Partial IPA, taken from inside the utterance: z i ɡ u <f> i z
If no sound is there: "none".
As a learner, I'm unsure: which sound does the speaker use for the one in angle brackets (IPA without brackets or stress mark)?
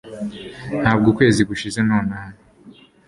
ʃ